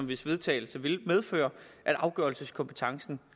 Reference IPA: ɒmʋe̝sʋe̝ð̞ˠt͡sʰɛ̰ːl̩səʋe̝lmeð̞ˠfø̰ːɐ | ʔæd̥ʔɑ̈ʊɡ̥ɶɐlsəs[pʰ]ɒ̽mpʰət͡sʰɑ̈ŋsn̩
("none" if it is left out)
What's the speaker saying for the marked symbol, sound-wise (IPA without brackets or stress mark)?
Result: kʰ